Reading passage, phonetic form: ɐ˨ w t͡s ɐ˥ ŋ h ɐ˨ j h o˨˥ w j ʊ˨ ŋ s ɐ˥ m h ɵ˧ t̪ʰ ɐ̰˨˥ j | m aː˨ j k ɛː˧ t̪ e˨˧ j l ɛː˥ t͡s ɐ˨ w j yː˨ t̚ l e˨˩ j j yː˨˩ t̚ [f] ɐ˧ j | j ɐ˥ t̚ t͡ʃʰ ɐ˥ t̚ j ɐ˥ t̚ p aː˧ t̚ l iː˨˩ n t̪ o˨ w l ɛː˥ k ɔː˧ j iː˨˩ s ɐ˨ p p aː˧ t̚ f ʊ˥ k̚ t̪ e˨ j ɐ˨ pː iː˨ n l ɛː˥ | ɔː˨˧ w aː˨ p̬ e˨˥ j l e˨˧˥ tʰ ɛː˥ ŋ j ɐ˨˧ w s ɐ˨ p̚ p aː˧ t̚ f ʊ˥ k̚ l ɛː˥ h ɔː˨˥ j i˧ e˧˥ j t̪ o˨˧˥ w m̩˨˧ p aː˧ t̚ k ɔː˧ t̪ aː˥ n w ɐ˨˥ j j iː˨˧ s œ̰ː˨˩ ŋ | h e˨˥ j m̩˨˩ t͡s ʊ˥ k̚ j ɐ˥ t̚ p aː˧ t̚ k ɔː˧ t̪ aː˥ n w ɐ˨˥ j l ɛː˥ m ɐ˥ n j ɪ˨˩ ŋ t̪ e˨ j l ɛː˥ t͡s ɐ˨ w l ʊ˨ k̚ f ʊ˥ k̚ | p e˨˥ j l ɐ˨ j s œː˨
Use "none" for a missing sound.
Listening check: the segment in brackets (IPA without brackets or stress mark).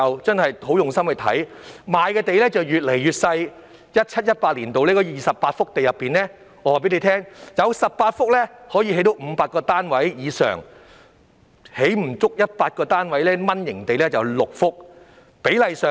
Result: s